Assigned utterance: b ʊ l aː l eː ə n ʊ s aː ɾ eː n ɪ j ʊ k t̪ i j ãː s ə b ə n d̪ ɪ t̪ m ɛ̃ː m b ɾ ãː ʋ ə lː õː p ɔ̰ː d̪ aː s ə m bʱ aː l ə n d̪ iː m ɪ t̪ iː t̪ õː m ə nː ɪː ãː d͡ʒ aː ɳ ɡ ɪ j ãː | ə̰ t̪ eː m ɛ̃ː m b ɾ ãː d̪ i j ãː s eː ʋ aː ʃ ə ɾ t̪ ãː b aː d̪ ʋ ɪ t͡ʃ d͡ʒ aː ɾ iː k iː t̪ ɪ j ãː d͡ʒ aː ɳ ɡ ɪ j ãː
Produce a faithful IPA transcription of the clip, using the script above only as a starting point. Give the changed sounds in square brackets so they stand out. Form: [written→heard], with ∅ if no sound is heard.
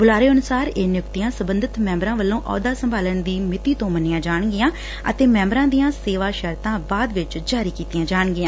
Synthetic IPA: b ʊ l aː [l→ɾ] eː ə n ʊ s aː ɾ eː n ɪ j ʊ k t̪ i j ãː s ə b ə n d̪ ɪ t̪ m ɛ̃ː m b ɾ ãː ʋ ə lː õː [p→ʔ] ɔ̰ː d̪ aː s ə m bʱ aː l ə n d̪ iː m ɪ t̪ iː t̪ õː m ə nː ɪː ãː d͡ʒ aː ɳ ɡ ɪ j ãː | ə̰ t̪ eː m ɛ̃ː m b ɾ ãː d̪ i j ãː s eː ʋ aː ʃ ə ɾ t̪ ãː b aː d̪ ʋ ɪ t͡ʃ d͡ʒ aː ɾ iː k iː t̪ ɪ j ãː d͡ʒ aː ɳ ɡ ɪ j ãː